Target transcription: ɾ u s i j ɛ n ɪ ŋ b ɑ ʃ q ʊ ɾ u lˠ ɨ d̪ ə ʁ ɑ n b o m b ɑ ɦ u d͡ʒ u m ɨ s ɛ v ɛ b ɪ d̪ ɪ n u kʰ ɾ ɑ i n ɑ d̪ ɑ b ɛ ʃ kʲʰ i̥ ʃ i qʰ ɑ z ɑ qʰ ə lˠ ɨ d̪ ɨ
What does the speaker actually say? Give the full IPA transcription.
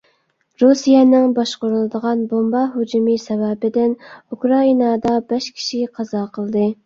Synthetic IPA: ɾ u s i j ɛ n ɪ ŋ b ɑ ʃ q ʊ ɾ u lˠ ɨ d̪ ə ʁ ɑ n b o m b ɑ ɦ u d͡ʒ u m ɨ s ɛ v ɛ b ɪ d̪ ɪ n u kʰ ɾ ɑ i n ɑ d̪ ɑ b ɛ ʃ kʲʰ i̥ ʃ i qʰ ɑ z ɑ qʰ ə lˠ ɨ d̪ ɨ